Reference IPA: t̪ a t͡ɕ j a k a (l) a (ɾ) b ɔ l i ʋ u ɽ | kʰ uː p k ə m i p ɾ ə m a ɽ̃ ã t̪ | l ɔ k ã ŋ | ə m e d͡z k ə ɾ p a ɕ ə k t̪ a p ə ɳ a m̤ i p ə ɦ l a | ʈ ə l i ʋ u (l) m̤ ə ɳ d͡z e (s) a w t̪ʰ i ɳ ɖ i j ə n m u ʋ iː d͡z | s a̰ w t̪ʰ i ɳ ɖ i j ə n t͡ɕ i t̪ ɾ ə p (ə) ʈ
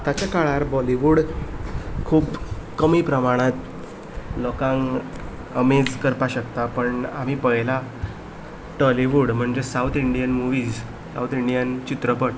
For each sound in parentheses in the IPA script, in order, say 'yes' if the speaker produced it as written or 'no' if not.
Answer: no, yes, no, yes, yes

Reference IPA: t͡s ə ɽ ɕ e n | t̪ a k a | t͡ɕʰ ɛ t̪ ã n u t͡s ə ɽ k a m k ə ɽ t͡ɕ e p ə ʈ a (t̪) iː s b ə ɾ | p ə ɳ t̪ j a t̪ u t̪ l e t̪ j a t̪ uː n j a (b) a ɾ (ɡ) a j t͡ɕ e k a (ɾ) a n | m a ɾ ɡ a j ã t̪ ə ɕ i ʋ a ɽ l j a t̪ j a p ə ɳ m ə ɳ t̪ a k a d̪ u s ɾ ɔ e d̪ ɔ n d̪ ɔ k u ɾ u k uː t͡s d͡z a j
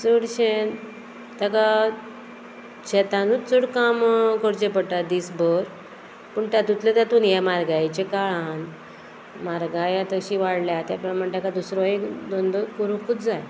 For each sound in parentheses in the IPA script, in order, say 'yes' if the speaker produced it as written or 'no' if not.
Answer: no, no, yes, no

